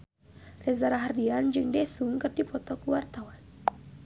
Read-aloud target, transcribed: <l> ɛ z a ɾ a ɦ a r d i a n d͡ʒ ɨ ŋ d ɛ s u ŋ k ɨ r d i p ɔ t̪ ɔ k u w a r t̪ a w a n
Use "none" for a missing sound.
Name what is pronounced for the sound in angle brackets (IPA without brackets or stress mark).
r